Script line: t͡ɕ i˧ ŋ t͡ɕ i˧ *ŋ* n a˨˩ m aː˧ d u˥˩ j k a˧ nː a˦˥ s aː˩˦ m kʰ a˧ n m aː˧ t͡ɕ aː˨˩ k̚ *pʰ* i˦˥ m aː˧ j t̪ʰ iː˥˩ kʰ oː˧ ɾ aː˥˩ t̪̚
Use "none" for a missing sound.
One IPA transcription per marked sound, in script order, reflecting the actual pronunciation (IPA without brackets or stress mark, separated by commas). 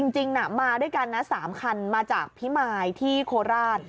ŋ, pʰ